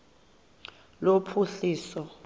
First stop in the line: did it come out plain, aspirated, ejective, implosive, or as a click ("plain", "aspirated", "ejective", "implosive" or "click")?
aspirated